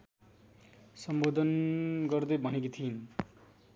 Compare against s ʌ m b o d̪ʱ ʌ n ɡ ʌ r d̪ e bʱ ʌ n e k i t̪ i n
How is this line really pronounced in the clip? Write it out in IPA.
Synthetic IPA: s ʌ m b o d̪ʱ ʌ n ɡ ʌ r d̪ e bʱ ʌ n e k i t̪ʰ i n